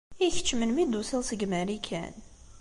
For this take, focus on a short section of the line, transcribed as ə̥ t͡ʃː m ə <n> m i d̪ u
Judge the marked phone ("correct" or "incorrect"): correct